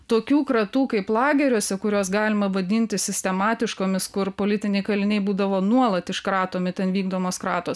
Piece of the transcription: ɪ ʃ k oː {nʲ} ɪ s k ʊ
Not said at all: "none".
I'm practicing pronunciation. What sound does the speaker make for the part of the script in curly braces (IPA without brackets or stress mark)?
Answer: mʲ